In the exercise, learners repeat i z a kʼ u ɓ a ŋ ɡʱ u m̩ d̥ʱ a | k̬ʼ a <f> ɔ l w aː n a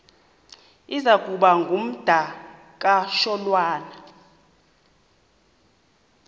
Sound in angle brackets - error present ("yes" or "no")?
yes